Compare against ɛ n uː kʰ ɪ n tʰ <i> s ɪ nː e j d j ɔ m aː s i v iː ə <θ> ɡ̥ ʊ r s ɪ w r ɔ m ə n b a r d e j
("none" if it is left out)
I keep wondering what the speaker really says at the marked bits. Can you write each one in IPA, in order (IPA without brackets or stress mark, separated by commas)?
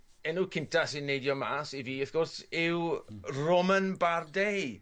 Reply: a, θ